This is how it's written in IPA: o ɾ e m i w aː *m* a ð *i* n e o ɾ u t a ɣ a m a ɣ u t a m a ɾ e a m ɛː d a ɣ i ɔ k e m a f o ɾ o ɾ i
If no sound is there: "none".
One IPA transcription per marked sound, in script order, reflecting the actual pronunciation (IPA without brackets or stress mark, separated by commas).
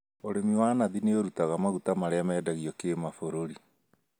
n, i